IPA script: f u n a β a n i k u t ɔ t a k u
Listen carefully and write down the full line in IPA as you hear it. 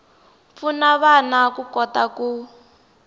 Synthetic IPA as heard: f u n a β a n a k u k ɔ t a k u